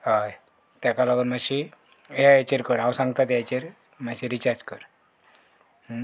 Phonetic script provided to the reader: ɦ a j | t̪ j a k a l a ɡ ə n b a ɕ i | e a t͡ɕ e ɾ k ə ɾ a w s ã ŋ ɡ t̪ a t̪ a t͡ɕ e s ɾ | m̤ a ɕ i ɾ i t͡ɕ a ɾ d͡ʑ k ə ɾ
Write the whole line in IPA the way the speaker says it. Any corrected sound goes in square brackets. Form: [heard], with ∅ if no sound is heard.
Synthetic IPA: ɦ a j | t̪ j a k a l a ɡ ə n [m] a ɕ i | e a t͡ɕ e ɾ k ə ɾ a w s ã ŋ ɡ t̪ a t̪ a t͡ɕ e [∅] ɾ | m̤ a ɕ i ɾ i t͡ɕ a ɾ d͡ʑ k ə ɾ